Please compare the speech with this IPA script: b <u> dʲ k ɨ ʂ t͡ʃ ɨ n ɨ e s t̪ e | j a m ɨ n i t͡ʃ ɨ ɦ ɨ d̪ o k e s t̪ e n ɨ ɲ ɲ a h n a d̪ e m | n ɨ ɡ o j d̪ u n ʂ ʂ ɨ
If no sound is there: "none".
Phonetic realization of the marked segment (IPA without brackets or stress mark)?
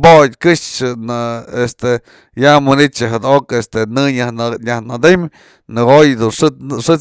o